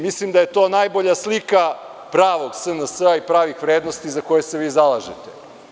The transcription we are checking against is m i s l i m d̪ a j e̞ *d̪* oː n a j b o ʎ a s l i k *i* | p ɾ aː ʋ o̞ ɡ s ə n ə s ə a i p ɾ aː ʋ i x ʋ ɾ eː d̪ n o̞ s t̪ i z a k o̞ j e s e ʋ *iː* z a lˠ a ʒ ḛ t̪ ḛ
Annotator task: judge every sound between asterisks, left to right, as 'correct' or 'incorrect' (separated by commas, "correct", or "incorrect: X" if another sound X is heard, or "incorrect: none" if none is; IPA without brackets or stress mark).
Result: incorrect: t̪, incorrect: a, correct